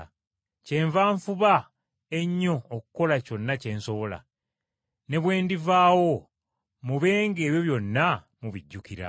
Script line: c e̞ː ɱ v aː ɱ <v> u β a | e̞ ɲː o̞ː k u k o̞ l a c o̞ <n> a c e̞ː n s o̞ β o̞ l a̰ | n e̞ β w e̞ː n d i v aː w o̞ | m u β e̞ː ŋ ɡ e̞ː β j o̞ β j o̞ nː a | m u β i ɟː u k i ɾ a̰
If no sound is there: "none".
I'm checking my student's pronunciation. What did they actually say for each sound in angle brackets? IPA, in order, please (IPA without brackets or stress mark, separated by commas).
f, nː